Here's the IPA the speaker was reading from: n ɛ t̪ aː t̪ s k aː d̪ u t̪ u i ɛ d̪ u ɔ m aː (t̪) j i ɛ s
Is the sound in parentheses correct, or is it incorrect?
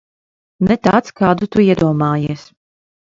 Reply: incorrect